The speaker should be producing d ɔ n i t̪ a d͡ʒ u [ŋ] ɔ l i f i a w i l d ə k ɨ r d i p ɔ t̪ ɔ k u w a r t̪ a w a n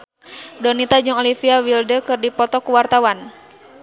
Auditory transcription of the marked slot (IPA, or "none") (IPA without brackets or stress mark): ŋ